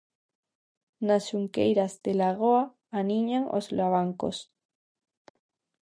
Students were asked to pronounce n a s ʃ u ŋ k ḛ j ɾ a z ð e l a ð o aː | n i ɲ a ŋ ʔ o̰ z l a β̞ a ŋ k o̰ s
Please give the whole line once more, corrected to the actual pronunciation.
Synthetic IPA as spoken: n a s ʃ u ŋ k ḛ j ɾ a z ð e l a ɣ o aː | n i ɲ a ŋ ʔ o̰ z l a β̞ a ŋ k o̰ s